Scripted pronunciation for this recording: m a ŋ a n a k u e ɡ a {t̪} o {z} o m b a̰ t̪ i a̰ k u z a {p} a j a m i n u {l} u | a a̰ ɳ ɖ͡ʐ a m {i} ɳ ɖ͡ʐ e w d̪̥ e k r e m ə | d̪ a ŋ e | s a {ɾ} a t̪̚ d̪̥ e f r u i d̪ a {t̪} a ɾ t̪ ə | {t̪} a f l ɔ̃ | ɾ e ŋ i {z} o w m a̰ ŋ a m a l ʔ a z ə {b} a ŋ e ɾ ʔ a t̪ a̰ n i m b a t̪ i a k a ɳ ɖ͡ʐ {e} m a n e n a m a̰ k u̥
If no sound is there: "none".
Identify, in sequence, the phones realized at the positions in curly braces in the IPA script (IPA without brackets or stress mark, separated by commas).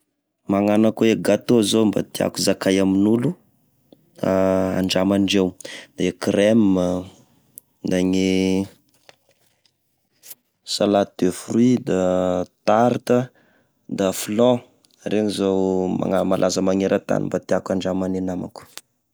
t̪, z, k, l, a, l, t̪, d̪, z, m, a